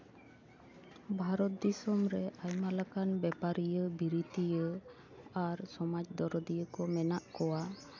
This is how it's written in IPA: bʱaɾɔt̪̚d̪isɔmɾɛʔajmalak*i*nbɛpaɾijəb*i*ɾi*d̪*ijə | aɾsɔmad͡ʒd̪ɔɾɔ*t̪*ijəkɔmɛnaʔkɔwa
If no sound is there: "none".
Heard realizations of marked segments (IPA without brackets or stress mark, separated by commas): a, i, t̪, d̪